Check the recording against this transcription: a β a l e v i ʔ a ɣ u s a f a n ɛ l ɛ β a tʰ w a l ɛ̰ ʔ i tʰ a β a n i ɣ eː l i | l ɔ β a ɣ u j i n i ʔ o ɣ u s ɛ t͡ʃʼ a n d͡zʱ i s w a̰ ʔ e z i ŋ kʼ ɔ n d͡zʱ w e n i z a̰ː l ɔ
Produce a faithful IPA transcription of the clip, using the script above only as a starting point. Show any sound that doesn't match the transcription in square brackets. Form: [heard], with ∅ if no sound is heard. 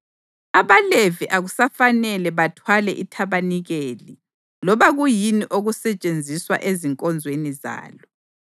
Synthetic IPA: a β a l e v i ʔ a ɣ u s a f a n ɛ l ɛ β a tʰ w a l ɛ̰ ʔ i tʰ a β a n i ɣ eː l i | l ɔ β a ɣ u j i n i ʔ o ɣ u s ɛ t͡ʃʼ [e] n d͡zʱ i s w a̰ ʔ e z i ŋ kʼ ɔ n d͡zʱ w e n i z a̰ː l ɔ